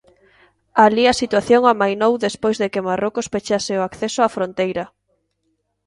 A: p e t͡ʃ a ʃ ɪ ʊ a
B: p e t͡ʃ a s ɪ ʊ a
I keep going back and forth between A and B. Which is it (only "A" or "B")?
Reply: B